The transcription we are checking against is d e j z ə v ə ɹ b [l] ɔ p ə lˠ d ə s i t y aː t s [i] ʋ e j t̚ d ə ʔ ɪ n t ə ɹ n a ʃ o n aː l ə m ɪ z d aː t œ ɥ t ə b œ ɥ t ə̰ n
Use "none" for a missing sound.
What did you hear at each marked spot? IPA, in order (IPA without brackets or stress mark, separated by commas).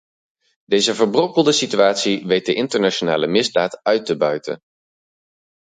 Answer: r, i